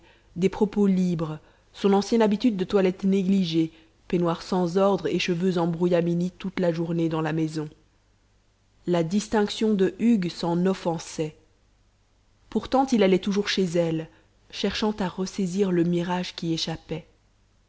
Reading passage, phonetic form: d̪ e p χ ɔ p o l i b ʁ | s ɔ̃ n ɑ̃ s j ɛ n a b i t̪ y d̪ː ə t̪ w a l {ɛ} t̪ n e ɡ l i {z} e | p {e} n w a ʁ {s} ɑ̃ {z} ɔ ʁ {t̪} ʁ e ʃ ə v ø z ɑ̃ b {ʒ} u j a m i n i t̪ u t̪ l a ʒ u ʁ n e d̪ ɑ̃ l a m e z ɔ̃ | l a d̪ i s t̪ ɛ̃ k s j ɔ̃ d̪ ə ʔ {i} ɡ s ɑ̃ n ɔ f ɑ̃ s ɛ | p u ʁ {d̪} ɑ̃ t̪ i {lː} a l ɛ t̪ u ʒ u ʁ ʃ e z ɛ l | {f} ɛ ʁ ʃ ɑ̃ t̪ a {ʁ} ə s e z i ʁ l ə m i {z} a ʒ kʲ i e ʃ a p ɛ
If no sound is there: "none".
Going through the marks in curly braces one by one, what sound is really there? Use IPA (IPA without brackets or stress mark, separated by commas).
ɛ, ʒ, e, s, z, d̪, ʁ, y, t̪, l, ʃ, ʁ, ʁ